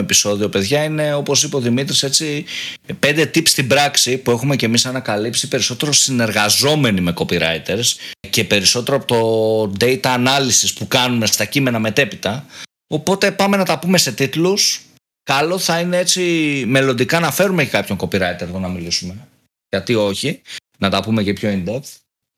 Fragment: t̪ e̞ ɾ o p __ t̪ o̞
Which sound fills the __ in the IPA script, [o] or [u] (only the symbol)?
o